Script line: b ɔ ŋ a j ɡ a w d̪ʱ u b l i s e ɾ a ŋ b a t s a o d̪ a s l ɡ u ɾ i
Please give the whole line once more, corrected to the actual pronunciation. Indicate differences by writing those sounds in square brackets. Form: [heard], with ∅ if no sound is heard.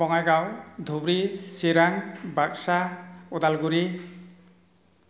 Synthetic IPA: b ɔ ŋ a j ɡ a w d̪ʱ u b [ɾ] i s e ɾ a ŋ b a [k] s a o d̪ a [∅] l ɡ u ɾ i

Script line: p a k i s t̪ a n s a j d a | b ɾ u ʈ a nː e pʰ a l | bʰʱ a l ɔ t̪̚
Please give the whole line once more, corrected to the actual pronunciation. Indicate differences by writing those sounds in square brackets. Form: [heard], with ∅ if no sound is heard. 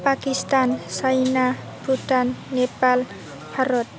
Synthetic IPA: p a k i s t̪ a n s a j [n] a | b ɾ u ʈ a nː e [p] a l | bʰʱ a [ɾ] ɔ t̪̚

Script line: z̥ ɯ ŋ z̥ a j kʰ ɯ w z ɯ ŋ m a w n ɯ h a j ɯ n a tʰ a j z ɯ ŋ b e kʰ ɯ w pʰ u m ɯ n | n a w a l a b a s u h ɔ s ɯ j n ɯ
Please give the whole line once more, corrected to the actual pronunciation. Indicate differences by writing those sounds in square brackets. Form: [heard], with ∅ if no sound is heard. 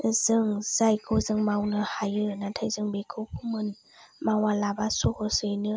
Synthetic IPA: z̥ ɯ ŋ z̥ a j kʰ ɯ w z ɯ ŋ m a w n ɯ h a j ɯ n a tʰ a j z ɯ ŋ b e kʰ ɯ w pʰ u m ɯ n | [m] a w a l a b a s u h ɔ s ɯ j n ɯ

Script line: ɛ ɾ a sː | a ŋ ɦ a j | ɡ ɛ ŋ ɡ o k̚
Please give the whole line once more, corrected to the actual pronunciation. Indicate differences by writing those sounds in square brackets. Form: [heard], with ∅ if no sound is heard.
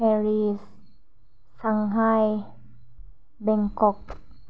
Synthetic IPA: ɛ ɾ [i] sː | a ŋ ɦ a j | [b] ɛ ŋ [k] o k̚

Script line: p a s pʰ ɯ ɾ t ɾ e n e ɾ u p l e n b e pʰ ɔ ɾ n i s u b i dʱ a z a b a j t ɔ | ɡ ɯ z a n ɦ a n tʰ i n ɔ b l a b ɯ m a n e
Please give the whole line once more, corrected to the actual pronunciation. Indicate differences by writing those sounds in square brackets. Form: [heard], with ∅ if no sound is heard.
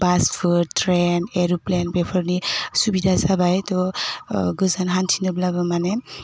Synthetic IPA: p a s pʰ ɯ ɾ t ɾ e n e ɾ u p l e n b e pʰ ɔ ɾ n i s u b i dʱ a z a b a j t ɔ | ɡ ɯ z a n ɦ a n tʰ i n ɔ b l a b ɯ m a n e

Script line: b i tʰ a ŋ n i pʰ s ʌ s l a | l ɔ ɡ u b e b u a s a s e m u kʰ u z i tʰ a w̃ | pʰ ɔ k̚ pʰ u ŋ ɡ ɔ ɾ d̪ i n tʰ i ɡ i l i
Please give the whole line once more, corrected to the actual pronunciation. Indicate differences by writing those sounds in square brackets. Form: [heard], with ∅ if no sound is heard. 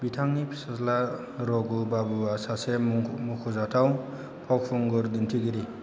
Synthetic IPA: b i tʰ a ŋ n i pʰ s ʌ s l a | [ɾ] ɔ ɡ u b [a] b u a s a s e m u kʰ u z [a] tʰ a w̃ | pʰ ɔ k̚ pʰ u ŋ ɡ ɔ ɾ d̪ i n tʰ i ɡ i [ɾ] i

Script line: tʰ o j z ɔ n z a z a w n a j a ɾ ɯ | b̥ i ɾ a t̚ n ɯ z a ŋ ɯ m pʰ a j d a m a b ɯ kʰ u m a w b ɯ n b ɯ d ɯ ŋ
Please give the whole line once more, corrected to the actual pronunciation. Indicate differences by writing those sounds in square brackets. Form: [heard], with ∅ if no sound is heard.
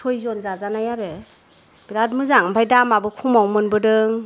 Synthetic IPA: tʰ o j z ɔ n z a z a [∅] n a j a ɾ ɯ | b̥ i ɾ a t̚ [m] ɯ z a ŋ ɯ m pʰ a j d a m a b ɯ kʰ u m a w [m] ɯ n b ɯ d ɯ ŋ

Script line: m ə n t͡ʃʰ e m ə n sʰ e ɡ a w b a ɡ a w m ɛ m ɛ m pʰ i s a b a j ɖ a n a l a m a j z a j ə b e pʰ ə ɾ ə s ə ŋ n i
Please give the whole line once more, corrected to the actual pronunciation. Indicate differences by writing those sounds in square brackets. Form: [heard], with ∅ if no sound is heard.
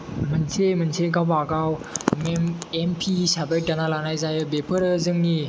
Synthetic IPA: m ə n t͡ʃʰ e m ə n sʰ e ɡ a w b a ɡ a w m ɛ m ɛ m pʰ i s a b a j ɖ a n a l a [n] a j z a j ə b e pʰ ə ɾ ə [z] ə ŋ n i

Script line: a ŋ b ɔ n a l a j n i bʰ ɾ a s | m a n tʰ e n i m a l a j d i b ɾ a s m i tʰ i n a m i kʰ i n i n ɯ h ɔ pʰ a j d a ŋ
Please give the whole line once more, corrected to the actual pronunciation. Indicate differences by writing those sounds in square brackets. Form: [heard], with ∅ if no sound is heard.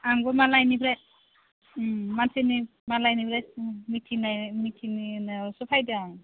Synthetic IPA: a ŋ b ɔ [m] a l a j n i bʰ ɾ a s | m a n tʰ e n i m a l a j [n] i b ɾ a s m i tʰ i n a m i [tʰ] i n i n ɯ [s] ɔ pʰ a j d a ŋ

